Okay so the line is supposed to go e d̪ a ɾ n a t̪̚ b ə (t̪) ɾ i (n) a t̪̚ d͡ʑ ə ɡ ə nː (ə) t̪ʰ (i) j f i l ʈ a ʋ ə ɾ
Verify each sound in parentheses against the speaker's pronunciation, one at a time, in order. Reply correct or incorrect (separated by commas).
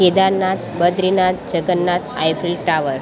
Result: incorrect, correct, incorrect, incorrect